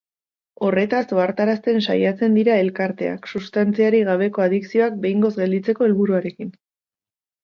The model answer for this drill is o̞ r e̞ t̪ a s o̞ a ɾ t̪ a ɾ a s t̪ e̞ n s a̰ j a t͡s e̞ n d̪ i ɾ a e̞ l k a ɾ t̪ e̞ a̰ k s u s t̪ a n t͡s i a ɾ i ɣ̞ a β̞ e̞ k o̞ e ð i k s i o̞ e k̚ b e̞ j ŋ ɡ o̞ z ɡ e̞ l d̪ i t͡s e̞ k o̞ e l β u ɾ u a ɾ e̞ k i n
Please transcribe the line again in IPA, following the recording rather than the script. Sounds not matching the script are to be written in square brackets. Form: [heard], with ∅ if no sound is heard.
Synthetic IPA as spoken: o̞ r e̞ t̪ a s o̞ a ɾ t̪ a ɾ a s t̪ e̞ n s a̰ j a t͡s e̞ n d̪ i ɾ a e̞ l k a ɾ t̪ e̞ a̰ k s u s t̪ a n t͡s i a ɾ i ɣ̞ a β̞ e̞ k o̞ [a] ð i k s i o̞ [a] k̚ b e̞ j ŋ ɡ o̞ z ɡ e̞ l d̪ i t͡s e̞ k o̞ e l β u ɾ u a ɾ e̞ k i n